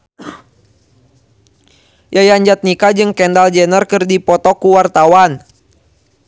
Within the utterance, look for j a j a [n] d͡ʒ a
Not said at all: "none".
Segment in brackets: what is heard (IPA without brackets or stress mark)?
ɲ